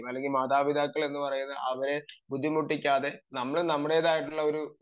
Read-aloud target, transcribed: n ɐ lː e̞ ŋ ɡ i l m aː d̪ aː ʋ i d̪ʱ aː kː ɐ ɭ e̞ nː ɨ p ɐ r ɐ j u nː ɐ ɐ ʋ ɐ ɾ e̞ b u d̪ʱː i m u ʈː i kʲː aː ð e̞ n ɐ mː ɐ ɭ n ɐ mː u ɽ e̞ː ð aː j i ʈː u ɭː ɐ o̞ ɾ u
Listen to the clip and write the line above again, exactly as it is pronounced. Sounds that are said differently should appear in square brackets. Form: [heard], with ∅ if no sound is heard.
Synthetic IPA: [m] ɐ lː e̞ ŋ ɡ i l m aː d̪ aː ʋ i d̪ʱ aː kː ɐ ɭ e̞ nː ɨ p ɐ r ɐ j u nː ɐ ɐ ʋ ɐ ɾ e̞ b u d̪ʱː i m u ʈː i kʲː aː ð e̞ n ɐ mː ɐ ɭ n ɐ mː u ɽ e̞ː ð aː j i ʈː u ɭː ɐ o̞ ɾ u